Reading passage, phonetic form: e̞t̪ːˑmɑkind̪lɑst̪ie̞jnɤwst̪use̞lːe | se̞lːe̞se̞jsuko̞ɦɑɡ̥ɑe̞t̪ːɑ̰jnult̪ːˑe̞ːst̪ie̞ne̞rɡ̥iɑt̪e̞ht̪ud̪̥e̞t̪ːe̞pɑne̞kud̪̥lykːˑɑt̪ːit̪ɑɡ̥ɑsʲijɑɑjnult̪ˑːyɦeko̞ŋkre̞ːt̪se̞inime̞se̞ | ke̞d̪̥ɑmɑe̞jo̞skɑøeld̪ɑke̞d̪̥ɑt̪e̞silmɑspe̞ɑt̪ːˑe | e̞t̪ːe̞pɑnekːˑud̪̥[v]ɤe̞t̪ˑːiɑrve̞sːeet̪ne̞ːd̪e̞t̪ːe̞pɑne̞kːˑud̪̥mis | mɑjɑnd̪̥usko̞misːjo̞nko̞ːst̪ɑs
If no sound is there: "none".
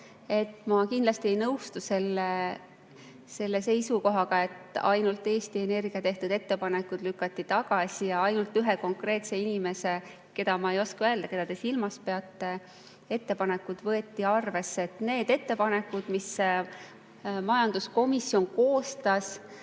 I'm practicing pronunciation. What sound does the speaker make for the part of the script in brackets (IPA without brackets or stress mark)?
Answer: v